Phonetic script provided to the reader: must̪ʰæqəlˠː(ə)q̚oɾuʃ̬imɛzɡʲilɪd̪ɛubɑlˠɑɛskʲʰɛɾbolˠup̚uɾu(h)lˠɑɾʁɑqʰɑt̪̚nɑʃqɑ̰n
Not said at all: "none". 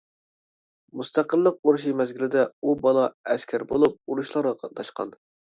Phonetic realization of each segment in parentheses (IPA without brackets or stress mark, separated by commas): ə, ʃ